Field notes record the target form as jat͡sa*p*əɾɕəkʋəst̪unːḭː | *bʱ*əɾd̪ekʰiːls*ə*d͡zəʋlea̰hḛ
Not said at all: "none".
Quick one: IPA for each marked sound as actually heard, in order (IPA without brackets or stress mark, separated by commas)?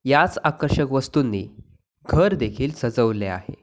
k, ɡʱ, ə